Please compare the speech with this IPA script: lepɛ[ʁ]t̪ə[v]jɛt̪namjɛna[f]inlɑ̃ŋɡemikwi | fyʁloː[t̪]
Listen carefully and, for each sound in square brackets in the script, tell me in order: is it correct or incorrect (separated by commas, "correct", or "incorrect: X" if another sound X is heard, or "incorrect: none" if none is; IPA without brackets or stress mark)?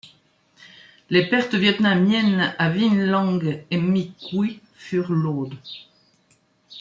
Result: correct, correct, incorrect: v, incorrect: d̪